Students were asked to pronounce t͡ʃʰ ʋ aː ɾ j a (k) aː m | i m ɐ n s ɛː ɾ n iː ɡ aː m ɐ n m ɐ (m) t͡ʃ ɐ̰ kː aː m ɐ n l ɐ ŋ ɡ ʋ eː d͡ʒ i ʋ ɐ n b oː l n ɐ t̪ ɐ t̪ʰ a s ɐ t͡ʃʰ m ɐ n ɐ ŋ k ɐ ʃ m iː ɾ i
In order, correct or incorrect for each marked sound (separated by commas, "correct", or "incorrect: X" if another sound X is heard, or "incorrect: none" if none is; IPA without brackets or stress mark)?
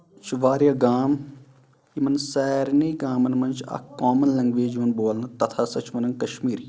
incorrect: ɡ, incorrect: n